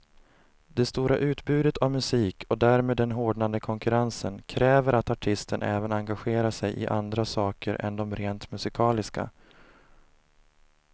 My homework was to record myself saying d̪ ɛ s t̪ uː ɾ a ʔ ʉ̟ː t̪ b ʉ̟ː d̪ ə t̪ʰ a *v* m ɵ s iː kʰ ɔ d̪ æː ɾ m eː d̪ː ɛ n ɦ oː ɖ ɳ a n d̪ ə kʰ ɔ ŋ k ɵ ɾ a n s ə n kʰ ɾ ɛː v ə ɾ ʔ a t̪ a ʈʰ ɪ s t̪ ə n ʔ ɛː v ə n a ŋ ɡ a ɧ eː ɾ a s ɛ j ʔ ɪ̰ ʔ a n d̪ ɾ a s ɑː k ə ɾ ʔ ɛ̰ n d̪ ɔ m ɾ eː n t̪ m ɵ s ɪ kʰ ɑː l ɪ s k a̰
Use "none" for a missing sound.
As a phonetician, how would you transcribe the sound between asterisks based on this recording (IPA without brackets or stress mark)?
v